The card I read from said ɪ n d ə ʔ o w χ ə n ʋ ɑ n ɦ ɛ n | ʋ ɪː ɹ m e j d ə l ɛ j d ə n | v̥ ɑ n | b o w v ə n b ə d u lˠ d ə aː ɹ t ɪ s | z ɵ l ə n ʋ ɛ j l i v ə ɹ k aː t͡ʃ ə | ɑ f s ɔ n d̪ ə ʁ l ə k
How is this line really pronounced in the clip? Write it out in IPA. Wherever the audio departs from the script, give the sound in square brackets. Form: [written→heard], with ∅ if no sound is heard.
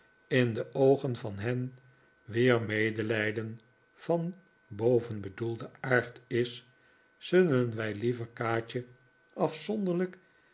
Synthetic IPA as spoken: ɪ n d ə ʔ o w χ ə n [ʋ→v] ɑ n ɦ ɛ n | ʋ ɪː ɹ m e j d ə l ɛ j d ə n | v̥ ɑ n | b o w v ə n b ə d u lˠ d ə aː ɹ t ɪ s | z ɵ l ə n ʋ ɛ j l i v ə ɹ k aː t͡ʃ ə | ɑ f s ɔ n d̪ ə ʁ l ə k